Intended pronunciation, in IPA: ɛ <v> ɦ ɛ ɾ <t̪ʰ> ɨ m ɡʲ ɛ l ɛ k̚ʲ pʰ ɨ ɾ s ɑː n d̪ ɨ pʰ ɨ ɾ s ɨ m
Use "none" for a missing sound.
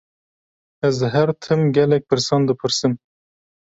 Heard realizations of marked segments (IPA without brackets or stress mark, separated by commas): z, t̪ʰ